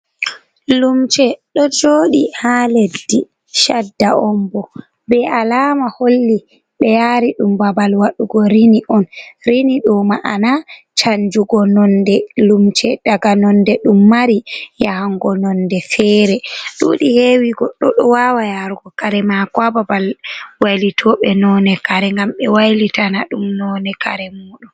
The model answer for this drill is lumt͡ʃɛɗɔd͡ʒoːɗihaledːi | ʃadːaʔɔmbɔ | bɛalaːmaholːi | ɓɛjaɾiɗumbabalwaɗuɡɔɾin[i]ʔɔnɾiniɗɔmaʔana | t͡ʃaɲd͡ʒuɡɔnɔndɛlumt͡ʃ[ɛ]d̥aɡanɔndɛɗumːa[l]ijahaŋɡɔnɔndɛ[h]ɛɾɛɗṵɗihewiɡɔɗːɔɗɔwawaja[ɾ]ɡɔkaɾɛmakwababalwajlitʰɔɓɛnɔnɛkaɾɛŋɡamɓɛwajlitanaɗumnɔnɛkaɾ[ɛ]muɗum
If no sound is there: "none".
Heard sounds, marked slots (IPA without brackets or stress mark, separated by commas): i, ɛ, ɾ, f, ɾ, ɛ